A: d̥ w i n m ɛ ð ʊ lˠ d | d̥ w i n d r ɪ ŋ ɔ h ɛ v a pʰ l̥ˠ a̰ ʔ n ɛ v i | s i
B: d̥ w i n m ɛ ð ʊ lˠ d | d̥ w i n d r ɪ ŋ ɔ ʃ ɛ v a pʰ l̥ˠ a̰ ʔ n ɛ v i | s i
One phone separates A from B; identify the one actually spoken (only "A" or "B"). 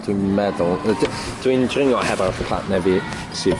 A